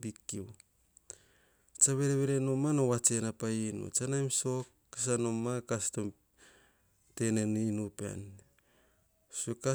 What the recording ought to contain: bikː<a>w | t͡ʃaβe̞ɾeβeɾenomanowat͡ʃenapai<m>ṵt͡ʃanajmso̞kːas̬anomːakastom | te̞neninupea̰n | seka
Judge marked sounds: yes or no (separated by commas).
no, no